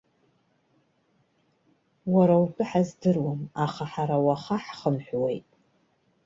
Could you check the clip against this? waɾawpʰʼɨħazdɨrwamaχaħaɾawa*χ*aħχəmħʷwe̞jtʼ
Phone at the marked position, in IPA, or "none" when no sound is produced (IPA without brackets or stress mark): χ